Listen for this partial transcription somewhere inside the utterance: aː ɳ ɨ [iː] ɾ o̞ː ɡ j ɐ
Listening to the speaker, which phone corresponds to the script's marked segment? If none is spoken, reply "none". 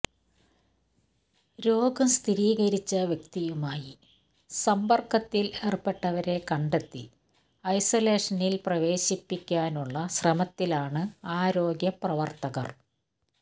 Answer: aː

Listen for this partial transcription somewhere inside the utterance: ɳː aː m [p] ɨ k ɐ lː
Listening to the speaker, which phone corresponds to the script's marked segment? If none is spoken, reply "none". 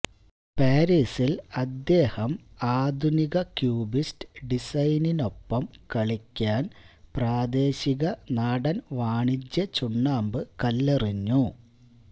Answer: b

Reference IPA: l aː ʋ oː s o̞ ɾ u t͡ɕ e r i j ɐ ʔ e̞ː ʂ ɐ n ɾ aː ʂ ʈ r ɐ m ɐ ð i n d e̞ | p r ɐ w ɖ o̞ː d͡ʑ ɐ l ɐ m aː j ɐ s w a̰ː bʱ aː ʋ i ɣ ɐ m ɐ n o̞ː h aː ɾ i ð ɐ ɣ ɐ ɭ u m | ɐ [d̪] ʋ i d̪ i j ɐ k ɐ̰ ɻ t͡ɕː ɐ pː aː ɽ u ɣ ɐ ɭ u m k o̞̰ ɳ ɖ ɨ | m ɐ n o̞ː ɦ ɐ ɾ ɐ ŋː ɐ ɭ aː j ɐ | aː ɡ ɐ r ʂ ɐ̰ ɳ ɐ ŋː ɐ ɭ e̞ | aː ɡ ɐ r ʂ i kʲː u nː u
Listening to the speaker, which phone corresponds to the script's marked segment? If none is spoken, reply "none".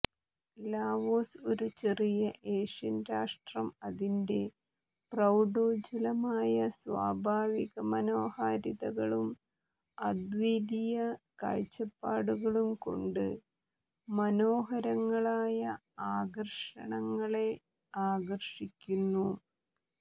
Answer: d̪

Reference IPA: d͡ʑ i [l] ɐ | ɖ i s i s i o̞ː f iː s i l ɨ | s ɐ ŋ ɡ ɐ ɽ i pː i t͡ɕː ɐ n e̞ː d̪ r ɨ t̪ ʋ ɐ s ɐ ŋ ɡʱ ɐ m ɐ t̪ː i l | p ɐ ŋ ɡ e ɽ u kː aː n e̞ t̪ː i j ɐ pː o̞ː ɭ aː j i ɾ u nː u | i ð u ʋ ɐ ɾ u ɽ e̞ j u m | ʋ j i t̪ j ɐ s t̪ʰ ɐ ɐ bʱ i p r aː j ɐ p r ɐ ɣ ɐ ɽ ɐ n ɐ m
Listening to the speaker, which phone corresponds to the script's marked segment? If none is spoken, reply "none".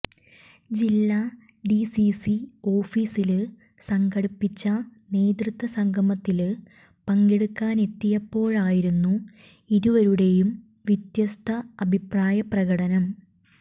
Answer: lː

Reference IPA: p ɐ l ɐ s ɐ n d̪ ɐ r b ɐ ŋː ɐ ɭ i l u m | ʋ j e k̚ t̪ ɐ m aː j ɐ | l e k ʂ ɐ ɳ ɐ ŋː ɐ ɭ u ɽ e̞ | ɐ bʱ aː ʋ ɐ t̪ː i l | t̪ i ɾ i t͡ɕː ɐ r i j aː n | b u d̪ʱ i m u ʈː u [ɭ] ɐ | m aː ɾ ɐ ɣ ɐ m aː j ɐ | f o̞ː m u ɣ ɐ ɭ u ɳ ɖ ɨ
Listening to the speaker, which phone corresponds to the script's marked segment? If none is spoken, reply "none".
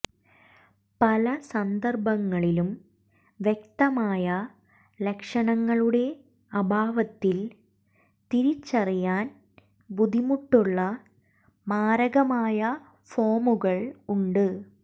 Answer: ɭː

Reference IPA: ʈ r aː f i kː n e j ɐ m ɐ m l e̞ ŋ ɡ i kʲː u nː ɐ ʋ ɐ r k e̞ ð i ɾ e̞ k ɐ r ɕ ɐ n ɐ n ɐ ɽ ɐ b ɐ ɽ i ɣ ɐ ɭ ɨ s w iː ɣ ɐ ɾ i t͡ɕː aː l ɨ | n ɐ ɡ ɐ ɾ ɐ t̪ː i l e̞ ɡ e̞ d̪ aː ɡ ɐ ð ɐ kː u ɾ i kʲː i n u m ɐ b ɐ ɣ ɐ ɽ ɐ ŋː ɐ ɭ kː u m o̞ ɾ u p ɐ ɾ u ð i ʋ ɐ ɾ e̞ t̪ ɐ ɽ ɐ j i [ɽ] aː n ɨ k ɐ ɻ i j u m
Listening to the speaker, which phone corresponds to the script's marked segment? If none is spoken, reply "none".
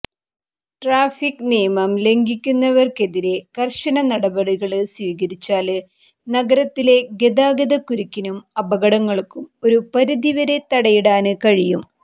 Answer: ɽ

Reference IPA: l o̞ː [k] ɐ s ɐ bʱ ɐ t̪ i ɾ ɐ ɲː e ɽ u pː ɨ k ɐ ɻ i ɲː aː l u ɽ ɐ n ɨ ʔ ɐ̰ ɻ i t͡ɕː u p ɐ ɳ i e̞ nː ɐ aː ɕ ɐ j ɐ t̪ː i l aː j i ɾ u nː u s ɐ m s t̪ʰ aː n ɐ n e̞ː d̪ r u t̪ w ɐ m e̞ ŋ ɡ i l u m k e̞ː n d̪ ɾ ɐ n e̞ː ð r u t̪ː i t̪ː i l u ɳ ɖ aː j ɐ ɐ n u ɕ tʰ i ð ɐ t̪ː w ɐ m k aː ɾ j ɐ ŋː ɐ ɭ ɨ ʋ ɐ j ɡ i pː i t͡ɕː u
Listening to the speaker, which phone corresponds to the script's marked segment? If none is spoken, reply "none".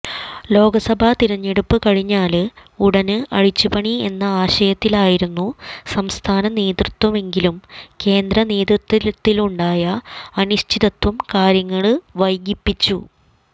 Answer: ɡ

